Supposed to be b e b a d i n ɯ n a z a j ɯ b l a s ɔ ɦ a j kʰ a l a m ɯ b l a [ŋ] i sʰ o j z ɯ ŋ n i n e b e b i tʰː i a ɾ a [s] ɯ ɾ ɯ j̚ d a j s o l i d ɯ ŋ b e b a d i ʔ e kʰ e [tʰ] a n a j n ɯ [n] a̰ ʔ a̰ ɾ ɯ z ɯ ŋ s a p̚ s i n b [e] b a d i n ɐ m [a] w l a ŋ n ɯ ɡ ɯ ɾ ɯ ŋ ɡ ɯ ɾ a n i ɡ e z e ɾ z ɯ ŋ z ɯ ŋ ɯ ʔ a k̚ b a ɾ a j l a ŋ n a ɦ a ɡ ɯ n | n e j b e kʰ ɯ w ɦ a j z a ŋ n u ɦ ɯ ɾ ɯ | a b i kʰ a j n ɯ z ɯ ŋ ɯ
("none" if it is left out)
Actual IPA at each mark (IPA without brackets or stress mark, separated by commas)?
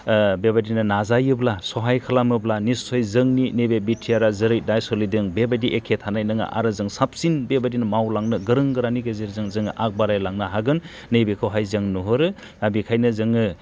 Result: n, z, tʰ, ŋ, e, a